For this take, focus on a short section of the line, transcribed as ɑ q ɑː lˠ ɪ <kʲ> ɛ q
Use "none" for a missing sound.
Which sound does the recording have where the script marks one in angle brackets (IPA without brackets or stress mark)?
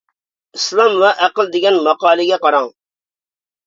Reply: ɡʲ